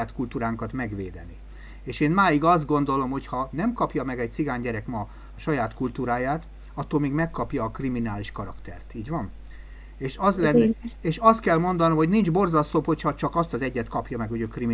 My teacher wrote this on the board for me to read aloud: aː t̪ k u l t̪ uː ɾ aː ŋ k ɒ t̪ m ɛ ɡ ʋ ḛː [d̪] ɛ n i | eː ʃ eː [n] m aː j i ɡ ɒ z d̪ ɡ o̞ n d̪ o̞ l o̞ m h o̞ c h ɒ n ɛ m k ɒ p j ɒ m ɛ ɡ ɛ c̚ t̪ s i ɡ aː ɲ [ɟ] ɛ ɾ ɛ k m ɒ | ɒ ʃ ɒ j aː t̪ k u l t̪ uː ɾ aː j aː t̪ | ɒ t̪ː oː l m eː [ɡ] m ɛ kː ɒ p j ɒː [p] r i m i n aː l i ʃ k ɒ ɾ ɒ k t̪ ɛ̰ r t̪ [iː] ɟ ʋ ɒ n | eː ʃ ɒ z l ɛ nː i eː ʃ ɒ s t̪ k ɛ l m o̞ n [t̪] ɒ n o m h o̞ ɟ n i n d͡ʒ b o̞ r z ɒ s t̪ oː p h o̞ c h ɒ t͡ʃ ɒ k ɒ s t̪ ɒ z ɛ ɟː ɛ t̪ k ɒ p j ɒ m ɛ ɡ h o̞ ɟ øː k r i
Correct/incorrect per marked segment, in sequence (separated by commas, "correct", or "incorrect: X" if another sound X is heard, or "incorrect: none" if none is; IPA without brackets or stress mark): correct, correct, correct, correct, incorrect: k, correct, incorrect: d̪